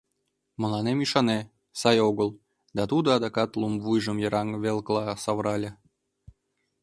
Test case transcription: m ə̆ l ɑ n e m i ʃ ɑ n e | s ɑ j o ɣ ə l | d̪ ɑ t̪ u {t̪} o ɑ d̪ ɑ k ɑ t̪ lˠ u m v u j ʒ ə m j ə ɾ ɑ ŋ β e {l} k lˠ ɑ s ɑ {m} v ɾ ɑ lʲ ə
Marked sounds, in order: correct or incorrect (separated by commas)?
incorrect, correct, incorrect